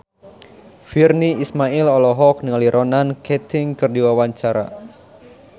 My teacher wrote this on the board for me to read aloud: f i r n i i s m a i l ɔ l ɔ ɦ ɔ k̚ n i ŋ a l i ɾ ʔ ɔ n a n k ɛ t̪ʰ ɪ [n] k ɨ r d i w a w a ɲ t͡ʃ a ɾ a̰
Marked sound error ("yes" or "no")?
yes